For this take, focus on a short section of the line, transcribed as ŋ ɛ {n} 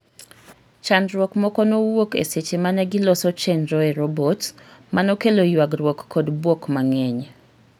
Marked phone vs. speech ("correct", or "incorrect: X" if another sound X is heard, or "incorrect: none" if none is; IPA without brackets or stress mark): incorrect: ɲ